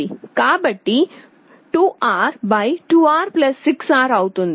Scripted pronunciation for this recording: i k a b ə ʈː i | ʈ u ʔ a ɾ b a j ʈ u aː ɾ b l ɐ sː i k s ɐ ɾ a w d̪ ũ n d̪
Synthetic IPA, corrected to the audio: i k a b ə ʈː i | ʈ u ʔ a ɾ b a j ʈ u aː ɾ p l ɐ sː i k s a ɾ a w t̪ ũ n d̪